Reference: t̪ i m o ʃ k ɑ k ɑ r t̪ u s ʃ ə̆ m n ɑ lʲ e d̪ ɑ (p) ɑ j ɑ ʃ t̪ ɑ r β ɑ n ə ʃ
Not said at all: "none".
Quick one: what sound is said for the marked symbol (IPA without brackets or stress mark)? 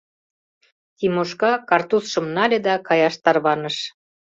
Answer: k